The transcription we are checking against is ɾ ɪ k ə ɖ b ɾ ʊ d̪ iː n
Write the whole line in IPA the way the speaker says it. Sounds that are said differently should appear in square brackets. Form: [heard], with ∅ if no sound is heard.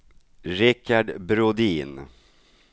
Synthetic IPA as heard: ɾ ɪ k [a] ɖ b ɾ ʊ d̪ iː n